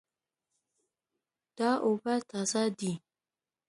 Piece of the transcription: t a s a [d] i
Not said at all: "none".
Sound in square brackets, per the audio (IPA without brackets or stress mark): d